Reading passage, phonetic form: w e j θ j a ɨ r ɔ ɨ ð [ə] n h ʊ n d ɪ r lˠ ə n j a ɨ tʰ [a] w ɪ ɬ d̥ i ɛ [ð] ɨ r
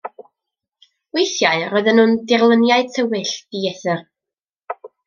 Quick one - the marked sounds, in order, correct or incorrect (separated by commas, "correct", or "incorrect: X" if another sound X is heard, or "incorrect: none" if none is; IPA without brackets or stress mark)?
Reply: correct, incorrect: ə, incorrect: θ